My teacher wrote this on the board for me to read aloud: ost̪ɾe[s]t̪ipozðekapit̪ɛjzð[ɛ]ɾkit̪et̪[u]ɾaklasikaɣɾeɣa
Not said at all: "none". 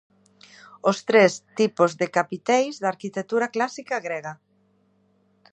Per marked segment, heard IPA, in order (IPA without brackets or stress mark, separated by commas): s, a, u